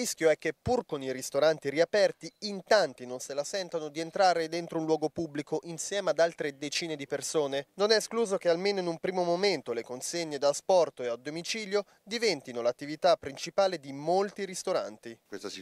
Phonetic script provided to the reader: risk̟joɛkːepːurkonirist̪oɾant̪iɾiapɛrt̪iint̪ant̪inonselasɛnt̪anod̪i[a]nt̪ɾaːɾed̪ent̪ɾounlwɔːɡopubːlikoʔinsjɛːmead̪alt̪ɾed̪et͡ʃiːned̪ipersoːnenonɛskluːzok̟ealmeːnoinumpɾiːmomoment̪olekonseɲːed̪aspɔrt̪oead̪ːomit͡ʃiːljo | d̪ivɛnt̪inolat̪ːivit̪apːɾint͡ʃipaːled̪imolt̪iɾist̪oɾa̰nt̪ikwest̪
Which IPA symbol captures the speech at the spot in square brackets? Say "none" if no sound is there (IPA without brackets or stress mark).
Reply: e